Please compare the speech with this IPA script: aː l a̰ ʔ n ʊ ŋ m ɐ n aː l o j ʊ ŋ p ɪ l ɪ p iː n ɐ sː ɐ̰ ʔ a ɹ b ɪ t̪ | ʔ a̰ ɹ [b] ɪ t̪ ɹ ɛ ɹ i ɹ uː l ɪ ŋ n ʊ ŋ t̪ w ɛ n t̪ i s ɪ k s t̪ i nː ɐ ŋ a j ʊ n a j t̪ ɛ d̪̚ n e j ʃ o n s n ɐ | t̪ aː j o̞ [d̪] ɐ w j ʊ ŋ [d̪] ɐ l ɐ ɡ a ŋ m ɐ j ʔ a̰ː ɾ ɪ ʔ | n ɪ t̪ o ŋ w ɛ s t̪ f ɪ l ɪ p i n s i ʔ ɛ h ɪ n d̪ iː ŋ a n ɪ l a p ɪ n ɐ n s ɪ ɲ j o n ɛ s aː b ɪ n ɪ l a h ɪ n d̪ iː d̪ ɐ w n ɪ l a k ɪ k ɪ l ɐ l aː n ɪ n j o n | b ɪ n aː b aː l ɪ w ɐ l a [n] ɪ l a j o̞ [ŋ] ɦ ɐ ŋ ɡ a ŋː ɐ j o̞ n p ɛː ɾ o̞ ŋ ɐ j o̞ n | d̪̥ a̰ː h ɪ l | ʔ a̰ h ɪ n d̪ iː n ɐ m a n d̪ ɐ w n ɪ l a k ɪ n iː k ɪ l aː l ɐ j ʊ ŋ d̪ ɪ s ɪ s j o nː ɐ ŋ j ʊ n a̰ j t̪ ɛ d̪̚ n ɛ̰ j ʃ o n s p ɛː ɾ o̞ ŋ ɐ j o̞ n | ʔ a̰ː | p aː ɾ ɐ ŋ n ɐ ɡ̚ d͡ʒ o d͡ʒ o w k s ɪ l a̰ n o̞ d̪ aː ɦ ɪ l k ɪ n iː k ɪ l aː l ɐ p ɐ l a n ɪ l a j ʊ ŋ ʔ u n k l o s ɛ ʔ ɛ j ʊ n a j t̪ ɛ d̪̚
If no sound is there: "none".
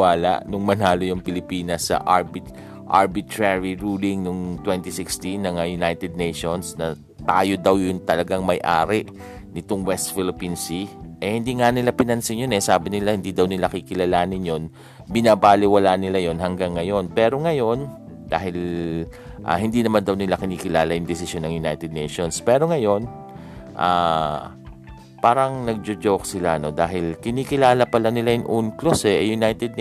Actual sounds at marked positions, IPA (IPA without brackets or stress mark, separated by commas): b, d̪, t̪, n, n